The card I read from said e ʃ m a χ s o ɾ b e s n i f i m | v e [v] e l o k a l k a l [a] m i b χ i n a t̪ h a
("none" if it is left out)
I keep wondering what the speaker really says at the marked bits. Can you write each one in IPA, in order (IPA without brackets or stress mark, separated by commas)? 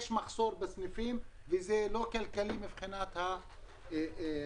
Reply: z, i